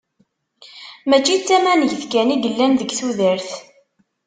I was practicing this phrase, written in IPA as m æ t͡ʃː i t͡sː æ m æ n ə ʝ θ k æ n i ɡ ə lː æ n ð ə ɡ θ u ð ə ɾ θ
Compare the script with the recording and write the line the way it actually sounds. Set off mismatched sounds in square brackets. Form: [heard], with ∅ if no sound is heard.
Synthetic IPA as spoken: m æ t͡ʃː i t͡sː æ m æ n ə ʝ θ k æ n i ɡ ə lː æ n ð ə ɡ θ u ð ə ɾ θ